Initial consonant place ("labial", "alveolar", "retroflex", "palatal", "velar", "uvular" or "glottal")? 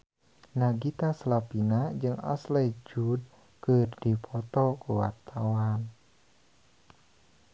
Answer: alveolar